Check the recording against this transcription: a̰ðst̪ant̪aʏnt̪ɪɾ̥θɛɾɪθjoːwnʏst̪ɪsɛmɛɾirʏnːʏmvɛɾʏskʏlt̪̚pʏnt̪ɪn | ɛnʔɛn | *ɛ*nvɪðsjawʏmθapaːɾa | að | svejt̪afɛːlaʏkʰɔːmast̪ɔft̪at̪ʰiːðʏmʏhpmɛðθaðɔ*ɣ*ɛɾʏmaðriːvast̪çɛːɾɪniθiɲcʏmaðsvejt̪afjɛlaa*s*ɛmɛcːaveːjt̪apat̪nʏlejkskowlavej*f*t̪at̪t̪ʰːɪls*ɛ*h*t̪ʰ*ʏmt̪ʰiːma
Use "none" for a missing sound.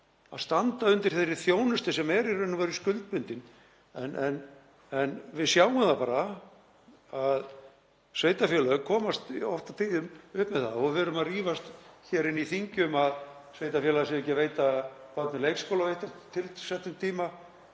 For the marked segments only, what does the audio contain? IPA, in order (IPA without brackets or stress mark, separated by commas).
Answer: ɛ, v, s, h, ɛ, t̪